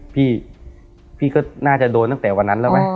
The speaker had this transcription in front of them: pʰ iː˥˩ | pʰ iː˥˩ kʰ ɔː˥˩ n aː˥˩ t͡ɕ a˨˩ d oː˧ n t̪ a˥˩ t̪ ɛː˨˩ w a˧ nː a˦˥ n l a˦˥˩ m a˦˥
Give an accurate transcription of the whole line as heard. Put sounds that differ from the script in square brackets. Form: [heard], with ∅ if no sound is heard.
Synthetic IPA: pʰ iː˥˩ | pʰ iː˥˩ [k] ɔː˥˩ n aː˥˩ t͡ɕ a˨˩ d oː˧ n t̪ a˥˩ t̪ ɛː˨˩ w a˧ nː a˦˥ n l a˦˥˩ m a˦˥